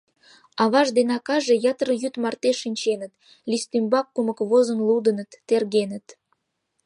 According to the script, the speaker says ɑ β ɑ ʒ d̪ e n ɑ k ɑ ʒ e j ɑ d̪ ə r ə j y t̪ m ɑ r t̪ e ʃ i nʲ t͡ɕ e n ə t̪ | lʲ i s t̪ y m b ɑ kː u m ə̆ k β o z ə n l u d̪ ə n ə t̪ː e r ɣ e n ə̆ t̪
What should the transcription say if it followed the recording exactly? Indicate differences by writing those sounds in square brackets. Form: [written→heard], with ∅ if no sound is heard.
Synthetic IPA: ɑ β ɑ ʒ d̪ e n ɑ k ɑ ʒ e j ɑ [d̪→t̪] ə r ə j y t̪ m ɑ r t̪ e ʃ i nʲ t͡ɕ e n ə t̪ | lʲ i s t̪ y m b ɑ kː u m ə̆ k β o z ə n l u d̪ ə n ə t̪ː e r ɣ e n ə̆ t̪